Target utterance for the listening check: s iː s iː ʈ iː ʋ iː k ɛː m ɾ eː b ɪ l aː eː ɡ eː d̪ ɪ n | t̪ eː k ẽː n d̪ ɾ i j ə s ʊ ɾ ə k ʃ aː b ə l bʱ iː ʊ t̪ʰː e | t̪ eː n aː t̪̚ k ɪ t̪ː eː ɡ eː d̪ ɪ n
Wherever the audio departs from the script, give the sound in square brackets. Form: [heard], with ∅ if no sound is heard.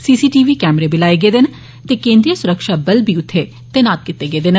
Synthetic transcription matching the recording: s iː s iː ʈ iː ʋ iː k ɛː m ɾ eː b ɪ l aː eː ɡ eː d̪ ɪ n | t̪ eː k ẽː n d̪ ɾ i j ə s ʊ ɾ ə k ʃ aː b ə l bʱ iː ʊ t̪ʰː e | t̪ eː n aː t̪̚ k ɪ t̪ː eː ɡ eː d̪ ɪ n